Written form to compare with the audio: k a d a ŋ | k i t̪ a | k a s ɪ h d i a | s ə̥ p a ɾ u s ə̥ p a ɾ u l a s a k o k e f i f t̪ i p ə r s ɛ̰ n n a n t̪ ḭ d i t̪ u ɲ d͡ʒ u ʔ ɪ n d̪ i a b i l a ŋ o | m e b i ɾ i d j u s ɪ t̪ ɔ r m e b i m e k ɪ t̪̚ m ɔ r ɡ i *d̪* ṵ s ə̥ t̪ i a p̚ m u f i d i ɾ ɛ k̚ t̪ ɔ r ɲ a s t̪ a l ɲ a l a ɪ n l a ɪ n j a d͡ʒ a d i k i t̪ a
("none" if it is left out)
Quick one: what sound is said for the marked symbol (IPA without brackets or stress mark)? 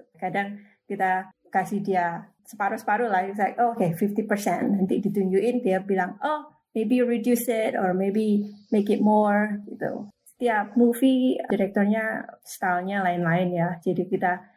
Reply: t̪